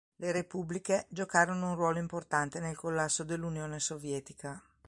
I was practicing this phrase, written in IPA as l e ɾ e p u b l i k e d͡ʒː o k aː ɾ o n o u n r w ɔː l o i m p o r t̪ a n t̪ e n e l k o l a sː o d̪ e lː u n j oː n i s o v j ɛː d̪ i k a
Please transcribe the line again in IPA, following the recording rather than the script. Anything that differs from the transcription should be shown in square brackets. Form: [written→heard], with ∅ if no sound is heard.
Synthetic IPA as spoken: l e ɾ e p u b l i k e [d͡ʒː→d͡ʒ] o k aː ɾ o n o u n r w ɔː l o i m p o r t̪ a n t̪ e n e l k o [l→lː] a sː o d̪ e lː u n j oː n [i→e] s o v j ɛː [d̪→t̪] i k a